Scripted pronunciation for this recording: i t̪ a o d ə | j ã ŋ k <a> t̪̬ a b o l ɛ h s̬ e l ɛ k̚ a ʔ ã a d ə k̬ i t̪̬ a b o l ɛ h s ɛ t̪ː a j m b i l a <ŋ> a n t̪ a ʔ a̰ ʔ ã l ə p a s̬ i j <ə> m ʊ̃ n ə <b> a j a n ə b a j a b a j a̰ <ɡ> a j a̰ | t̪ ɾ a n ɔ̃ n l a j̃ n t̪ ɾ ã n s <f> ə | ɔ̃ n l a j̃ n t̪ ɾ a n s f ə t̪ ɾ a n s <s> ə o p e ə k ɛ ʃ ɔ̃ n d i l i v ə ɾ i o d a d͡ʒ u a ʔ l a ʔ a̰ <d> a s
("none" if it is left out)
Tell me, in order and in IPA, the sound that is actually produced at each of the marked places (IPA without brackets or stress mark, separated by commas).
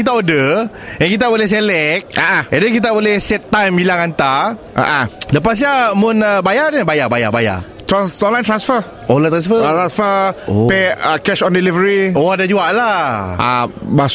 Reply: i, ŋ, a, b, b, f, f, b